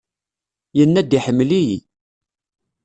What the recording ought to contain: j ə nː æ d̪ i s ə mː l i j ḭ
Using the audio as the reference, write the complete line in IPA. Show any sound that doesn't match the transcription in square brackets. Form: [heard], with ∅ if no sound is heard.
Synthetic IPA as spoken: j ə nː æ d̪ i [ħ] ə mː l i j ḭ